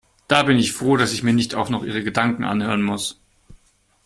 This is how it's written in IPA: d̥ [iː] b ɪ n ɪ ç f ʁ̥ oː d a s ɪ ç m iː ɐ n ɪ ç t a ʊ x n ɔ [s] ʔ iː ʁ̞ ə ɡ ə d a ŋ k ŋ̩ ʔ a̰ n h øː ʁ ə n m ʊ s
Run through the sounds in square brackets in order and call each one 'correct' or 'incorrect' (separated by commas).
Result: incorrect, incorrect